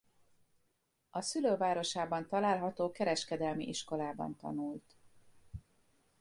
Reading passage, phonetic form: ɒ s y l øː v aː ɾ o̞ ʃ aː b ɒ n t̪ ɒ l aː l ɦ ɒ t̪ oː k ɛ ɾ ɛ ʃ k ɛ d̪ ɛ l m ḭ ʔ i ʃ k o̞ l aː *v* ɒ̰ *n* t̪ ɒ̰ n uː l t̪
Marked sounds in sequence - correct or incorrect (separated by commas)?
incorrect, correct